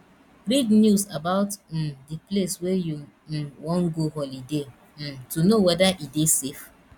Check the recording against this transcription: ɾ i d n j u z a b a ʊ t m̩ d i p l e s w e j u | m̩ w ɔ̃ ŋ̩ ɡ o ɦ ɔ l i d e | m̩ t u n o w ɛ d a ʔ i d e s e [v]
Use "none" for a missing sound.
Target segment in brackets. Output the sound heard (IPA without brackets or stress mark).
f